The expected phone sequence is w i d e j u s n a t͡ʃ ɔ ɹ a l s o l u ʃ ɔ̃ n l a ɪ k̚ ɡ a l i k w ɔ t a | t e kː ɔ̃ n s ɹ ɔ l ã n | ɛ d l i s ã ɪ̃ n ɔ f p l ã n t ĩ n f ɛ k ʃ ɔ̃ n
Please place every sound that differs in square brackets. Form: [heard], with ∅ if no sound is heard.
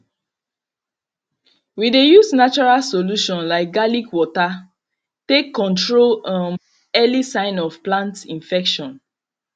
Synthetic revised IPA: w i d e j u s n a t͡ʃ ɔ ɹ a l s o l u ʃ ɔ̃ n l a ɪ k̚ ɡ a l i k w ɔ t a | t e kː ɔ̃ n [t] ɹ [o] l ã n | ɛ [∅] l i s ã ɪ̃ n ɔ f p l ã n t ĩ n f ɛ k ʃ ɔ̃ n